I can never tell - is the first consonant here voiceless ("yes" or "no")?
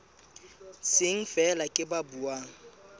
yes